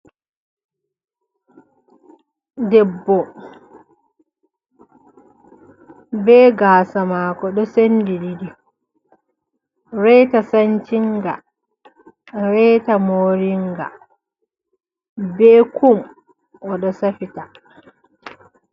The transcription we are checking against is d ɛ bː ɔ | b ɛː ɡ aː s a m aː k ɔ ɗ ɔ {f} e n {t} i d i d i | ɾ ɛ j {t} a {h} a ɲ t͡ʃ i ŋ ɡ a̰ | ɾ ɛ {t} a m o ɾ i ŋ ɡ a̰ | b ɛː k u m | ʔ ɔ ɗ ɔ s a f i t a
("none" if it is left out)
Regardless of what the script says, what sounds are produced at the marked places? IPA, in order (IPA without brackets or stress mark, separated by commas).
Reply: s, d, t, s, t